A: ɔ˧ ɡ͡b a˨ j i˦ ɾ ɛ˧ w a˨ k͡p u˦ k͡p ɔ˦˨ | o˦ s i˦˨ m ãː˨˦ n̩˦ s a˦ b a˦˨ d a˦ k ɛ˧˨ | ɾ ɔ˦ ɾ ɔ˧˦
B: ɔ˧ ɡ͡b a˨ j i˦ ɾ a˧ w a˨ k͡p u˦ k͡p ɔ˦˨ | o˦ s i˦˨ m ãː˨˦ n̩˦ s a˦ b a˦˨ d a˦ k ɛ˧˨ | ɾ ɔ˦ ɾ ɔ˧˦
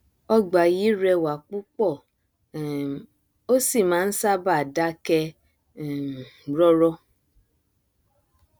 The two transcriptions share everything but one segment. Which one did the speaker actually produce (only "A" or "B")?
A